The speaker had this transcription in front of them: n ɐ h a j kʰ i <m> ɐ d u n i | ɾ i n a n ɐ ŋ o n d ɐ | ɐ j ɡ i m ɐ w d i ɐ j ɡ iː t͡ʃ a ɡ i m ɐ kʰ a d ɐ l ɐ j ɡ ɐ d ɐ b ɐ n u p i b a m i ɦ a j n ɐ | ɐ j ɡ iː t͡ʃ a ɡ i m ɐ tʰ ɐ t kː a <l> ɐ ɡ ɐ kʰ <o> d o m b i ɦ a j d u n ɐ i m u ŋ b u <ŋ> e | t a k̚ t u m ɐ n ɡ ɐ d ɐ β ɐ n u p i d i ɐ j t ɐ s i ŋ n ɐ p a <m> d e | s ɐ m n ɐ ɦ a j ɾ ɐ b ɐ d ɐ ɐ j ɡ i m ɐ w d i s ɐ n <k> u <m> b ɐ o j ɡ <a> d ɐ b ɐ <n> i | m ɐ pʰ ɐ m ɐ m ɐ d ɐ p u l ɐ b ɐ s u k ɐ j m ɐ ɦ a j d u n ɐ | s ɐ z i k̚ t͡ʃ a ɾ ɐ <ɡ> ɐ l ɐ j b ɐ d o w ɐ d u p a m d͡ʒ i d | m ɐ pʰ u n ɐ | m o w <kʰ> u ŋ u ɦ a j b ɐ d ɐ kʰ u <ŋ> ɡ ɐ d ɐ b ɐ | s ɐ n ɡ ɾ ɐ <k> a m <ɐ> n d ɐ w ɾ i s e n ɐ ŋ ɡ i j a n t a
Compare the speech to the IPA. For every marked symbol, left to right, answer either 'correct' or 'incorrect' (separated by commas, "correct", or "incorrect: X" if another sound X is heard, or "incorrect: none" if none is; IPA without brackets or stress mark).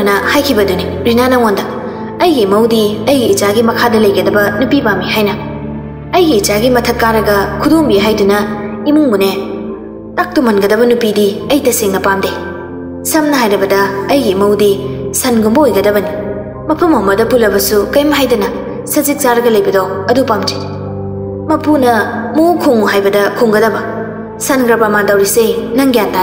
incorrect: b, incorrect: ɾ, incorrect: u, incorrect: n, correct, incorrect: ɡ, correct, incorrect: ɐ, correct, correct, correct, correct, incorrect: p, incorrect: a